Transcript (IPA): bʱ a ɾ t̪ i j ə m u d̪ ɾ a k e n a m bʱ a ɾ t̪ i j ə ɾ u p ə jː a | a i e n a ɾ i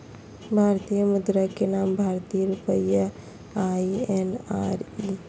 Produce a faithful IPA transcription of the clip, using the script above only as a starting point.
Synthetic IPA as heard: bʱ a ɾ t̪ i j ə m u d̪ ɾ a k e n a m bʱ a ɾ t̪ i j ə ɾ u p ə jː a | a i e n a ɾ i

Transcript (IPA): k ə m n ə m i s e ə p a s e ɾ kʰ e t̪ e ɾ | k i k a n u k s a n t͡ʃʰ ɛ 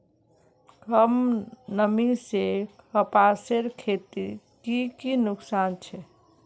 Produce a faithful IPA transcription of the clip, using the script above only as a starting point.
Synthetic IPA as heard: k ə m n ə m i s e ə p a s e ɾ kʰ e t̪ i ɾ | k i k i n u k s a n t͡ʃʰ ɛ

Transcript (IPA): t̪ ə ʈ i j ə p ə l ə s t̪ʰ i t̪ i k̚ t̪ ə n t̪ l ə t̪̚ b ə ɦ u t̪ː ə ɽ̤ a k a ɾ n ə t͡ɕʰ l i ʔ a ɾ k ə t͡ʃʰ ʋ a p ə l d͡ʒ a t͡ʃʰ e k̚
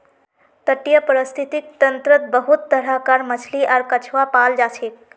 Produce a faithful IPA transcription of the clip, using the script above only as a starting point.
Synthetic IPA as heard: t̪ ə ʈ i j ə p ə ɾ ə s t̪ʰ i t̪ i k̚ t̪ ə n t̪ ɾ ə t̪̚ b ə ɦ u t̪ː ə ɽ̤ a k a ɾ m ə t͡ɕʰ l i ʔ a ɾ k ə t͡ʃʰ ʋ a p a l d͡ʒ a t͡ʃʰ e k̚

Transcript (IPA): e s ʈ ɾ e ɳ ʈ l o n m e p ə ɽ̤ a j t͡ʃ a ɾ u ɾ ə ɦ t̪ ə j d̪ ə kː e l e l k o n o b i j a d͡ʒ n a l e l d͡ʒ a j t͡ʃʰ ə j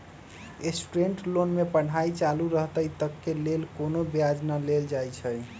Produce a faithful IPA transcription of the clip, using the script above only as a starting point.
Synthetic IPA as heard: e s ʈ ɾ e ɳ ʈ l o n m e p ə ɽ̤ a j t͡ʃ a l u ɾ ə ɦ t̪ ə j t̪ ə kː e l e l k o n o b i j a d͡ʒ n a l e l d͡ʒ a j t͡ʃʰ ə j

